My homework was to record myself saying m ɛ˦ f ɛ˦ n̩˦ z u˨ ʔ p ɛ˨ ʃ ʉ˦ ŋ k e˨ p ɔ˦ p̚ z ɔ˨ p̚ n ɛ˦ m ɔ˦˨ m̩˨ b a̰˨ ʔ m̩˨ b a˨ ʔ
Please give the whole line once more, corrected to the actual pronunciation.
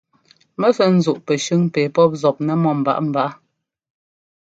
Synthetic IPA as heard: m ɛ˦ f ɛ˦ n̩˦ z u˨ ʔ p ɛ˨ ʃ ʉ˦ ŋ p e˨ p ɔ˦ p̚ z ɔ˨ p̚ n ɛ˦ m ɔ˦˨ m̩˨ b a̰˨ ʔ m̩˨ b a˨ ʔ